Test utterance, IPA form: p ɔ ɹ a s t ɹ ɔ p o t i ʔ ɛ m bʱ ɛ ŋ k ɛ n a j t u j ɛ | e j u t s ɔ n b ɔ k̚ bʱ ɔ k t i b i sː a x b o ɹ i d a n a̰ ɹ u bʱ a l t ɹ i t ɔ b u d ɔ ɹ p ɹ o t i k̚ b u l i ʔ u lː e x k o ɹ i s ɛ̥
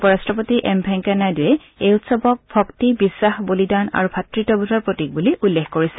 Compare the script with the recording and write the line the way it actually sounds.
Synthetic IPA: p ɔ ɹ a s t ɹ ɔ p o t i ʔ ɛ m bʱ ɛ ŋ k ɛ n a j d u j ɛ | e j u t s ɔ b ɔ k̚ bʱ ɔ k t i b i sː a x b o l i d a n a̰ ɹ u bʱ a t ɹ i t ɔ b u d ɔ ɹ p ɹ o t i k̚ b u l i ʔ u lː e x k o ɹ i s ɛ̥

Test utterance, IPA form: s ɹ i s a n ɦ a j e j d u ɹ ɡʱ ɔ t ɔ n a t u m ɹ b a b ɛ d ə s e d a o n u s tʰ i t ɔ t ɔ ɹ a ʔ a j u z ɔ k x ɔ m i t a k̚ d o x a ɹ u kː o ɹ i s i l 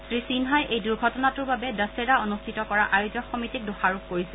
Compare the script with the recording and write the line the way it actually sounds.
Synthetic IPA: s ɹ i s i n ɦ a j e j d u ɹ ɡʱ ɔ t ɔ n a t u ɹ b a b ɛ d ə s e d a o n u s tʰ i t ɔ k ɔ ɹ a ʔ a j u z ɔ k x ɔ m i t i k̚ d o x a ɹ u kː o ɹ i s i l

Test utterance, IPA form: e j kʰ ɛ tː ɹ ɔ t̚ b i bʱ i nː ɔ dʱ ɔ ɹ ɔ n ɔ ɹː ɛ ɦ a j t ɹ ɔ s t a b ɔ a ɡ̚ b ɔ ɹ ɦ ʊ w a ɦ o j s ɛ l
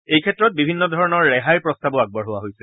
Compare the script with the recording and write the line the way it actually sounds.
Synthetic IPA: e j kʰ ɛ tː ɹ ɔ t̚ b i bʱ i nː ɔ dʱ ɔ ɹ ɔ n ɔ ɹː ɛ ɦ a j p ɹ ɔ s t a b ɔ a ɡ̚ b ɔ ɹ ɦ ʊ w a ɦ o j s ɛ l

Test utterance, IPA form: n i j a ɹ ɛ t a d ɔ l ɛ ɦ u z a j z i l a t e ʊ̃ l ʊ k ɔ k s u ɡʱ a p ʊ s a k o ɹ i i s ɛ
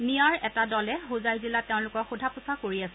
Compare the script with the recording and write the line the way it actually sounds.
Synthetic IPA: n i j a ɹ ɛ t a d ɔ l ɛ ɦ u z a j z i l a t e ʊ̃ l ʊ k ɔ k x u dʱ a p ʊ s a k o ɹ i a s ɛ

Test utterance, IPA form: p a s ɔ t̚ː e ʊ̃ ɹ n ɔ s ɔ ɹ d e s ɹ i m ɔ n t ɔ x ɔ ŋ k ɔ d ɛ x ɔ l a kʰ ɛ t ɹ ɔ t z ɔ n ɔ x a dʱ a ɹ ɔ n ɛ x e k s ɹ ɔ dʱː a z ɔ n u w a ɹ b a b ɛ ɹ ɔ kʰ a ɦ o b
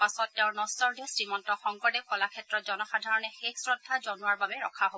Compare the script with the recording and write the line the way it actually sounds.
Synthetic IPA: p a s ɔ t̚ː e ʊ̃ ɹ n ɔ s ɔ ɹ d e s ɹ i m ɔ n t ɔ x ɔ ŋ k ɔ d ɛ k ɔ l a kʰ ɛ t ɹ ɔ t z ɔ n ɔ x a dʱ a ɹ ɔ n ɛ x e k s ɹ ɔ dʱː a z ɔ n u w a ɹ b a b ɛ ɹ ɔ kʰ a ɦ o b

